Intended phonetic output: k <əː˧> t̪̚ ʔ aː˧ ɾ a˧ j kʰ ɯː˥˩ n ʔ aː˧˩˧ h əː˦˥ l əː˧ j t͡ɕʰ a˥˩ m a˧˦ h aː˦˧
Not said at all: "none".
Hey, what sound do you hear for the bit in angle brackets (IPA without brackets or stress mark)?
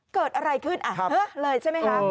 əː˨˩